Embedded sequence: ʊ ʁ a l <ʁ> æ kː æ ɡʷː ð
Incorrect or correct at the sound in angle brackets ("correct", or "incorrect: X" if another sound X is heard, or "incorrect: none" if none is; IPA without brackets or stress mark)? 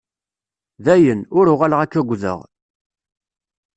correct